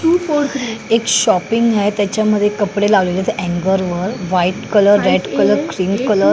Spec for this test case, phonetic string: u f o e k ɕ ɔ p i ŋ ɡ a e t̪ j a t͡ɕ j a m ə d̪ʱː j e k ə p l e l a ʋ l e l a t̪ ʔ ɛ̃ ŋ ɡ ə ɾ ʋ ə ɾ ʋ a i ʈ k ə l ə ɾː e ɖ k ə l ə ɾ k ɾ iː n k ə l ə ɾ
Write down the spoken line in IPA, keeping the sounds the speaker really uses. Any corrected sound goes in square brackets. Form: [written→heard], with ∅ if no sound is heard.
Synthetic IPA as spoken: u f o e k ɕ ɔ p i ŋ ɡ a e t̪ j a t͡ɕ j a m ə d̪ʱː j e k ə p [l→ɽ] e l a ʋ l e l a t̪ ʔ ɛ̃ ŋ ɡ ə ɾ ʋ ə ɾ ʋ a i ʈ k ə l ə ɾː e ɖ k ə l ə ɾ k ɾ iː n k ə l ə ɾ